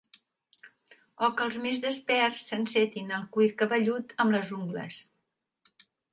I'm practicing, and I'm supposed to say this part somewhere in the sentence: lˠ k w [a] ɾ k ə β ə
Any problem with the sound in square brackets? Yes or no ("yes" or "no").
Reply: yes